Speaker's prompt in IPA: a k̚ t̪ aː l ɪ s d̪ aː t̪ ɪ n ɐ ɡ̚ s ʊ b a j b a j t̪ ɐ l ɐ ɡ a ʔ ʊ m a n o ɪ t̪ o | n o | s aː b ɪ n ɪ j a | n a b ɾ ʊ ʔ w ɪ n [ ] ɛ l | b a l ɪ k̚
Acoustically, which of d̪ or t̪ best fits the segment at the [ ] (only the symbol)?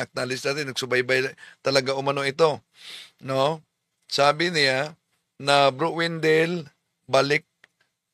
d̪